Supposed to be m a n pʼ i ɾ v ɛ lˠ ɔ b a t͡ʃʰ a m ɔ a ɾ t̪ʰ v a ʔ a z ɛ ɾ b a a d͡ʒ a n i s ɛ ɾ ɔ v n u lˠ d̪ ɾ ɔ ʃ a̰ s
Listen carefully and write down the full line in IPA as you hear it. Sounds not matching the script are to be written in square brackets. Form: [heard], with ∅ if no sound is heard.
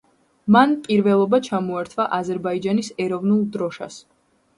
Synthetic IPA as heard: m a n pʼ i ɾ v ɛ lˠ ɔ b a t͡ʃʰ a m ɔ a ɾ t̪ʰ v a ʔ a z ɛ ɾ b a [i] d͡ʒ a n i s ɛ ɾ ɔ v n u lˠ d̪ ɾ ɔ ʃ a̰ s